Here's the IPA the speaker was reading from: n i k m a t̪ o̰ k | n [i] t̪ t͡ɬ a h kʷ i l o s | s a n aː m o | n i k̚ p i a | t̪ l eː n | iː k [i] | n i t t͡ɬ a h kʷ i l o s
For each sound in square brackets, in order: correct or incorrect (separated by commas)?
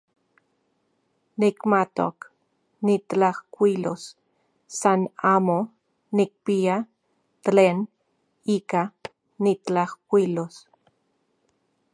correct, incorrect